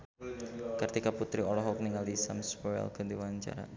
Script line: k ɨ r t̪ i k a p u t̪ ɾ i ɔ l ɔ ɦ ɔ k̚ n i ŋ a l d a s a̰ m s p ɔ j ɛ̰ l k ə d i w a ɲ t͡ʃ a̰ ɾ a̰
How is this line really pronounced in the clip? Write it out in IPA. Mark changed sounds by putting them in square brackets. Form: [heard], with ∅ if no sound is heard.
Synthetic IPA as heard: k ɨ r t̪ i k a p u t̪ ɾ i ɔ l ɔ ɦ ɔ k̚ n i ŋ a l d [i] s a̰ m s p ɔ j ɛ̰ l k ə d i w a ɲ t͡ʃ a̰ ɾ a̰